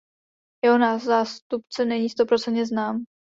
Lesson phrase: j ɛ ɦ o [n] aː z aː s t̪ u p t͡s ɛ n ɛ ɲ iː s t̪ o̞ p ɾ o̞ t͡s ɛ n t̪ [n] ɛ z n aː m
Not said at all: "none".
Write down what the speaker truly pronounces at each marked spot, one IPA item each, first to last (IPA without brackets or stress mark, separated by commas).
n, ɲ